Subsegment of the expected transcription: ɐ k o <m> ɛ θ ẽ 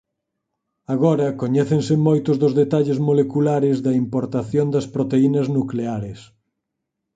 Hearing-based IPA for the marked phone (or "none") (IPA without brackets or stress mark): ɲ